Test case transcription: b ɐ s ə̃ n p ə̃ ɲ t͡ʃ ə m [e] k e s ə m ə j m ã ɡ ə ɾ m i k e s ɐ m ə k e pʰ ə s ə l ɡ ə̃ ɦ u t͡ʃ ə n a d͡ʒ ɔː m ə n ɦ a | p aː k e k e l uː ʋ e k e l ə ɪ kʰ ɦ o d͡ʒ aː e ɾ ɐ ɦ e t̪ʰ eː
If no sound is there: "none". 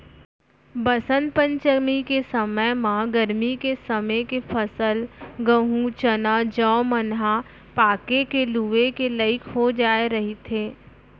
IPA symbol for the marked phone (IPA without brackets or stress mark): i